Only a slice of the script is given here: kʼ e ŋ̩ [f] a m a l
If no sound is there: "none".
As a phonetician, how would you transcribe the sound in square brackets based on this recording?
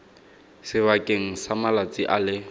s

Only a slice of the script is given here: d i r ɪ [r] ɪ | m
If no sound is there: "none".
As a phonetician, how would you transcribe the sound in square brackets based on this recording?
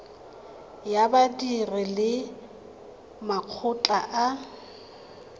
l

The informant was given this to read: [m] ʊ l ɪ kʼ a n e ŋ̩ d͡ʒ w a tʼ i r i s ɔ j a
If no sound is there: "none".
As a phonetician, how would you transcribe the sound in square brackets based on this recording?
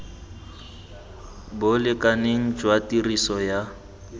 b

